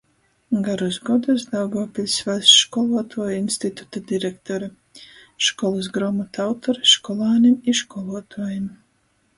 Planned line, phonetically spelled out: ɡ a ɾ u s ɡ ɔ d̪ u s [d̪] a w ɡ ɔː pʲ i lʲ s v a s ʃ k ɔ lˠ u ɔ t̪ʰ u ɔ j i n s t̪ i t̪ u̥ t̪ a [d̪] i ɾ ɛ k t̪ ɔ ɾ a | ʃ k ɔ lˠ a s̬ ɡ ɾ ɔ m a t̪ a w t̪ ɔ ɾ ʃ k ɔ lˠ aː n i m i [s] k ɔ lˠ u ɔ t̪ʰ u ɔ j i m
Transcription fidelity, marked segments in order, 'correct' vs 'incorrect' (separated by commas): correct, correct, incorrect